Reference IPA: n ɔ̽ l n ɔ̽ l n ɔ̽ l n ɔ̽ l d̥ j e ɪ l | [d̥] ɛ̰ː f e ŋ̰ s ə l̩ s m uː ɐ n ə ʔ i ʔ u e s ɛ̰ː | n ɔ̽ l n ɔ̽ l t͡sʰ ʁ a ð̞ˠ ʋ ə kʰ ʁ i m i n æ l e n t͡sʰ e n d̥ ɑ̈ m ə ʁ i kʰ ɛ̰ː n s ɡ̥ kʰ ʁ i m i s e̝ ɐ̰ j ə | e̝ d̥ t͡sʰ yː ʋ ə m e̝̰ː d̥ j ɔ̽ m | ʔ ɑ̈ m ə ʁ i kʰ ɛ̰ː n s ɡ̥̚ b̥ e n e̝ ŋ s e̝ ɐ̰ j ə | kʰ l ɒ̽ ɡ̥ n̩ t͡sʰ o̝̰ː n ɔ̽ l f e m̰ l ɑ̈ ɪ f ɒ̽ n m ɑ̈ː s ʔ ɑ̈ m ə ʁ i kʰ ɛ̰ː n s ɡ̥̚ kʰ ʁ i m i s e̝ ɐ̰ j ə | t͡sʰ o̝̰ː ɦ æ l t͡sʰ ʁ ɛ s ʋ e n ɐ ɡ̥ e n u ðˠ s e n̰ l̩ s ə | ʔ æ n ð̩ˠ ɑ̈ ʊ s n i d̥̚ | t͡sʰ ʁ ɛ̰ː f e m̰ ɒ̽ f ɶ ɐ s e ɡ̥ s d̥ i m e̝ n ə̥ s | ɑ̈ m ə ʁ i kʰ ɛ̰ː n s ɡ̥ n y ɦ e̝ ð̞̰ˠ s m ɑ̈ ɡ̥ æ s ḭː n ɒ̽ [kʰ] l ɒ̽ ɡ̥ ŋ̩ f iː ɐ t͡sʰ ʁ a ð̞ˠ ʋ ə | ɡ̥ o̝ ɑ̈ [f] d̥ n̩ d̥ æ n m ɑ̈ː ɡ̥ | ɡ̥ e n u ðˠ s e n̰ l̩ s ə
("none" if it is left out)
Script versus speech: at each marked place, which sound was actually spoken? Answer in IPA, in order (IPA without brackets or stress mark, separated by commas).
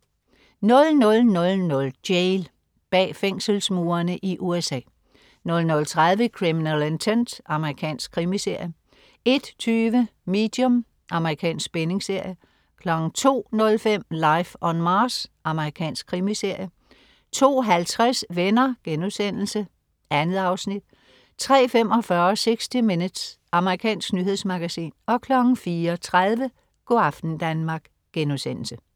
b̥, kʰ, f